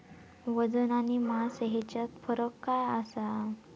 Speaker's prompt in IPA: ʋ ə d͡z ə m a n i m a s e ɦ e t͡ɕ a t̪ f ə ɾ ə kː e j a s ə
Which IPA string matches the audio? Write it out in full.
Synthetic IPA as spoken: ʋ ə d͡z ə n a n i m a s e ɦ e t͡ɕ a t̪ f ə ɾ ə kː a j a s a